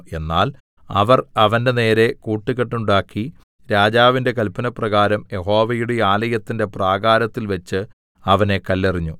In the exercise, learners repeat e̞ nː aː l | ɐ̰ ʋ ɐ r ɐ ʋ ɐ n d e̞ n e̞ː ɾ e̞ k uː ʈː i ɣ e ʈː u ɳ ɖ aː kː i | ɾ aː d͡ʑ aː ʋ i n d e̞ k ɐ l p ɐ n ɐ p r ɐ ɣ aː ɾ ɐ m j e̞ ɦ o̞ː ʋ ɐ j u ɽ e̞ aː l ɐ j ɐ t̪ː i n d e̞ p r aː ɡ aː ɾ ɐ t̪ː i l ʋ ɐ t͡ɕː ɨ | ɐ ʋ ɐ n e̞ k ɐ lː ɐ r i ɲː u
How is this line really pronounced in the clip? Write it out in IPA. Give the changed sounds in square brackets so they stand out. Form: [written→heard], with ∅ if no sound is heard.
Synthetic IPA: e̞ nː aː l | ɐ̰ ʋ ɐ r ɐ ʋ ɐ n d e̞ n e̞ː ɾ e̞ k uː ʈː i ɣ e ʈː u ɳ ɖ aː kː i | ɾ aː d͡ʑ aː ʋ i n d e̞ k ɐ l p ɐ n ɐ p r ɐ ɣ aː ɾ ɐ m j e̞ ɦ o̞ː ʋ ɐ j u ɽ e̞ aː l ɐ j ɐ t̪ː i n d e̞ p r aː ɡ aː ɾ ɐ t̪ː i l ʋ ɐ t͡ɕː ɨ | ɐ ʋ ɐ n e̞ k ɐ lː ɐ r i ɲː u